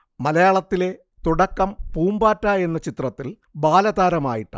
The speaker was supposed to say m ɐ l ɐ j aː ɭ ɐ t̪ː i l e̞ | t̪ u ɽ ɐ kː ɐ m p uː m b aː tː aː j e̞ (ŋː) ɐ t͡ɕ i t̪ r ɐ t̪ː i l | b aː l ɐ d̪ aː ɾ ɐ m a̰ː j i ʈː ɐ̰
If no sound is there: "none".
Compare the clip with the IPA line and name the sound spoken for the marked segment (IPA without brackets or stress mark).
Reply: nː